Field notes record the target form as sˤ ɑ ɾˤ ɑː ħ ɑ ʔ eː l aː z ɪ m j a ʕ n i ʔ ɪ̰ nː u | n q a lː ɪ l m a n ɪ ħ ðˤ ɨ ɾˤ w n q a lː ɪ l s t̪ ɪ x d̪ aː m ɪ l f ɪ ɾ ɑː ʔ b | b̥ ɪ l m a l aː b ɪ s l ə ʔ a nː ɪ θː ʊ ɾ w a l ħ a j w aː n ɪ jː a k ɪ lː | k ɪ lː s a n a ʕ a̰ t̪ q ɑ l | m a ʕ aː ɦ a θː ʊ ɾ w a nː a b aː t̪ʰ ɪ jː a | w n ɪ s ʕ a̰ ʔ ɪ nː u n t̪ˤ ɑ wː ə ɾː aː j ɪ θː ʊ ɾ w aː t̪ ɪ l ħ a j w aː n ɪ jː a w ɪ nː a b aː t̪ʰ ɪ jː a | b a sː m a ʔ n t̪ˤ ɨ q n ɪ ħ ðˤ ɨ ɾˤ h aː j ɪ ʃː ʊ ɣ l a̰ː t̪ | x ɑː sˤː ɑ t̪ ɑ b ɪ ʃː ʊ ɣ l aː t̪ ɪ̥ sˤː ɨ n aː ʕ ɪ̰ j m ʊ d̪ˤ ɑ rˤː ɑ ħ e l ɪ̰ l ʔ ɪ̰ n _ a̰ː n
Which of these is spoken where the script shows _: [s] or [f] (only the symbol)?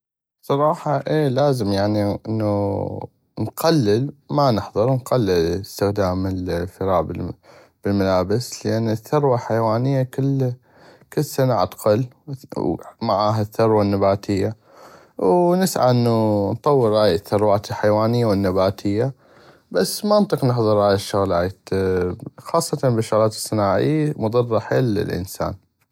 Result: s